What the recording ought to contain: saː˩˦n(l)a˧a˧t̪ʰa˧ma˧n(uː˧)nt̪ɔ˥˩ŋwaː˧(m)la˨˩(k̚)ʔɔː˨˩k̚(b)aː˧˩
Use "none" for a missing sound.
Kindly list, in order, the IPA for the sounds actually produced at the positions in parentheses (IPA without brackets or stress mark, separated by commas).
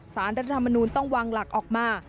ɾ, uː˧, ŋ, k̚, m